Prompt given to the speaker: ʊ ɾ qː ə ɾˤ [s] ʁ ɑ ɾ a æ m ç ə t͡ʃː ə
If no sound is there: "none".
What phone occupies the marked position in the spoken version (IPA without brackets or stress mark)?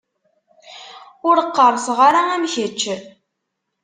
s